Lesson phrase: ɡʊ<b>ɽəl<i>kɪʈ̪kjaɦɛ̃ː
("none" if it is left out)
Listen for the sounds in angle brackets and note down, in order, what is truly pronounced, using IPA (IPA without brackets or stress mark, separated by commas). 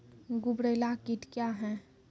b, a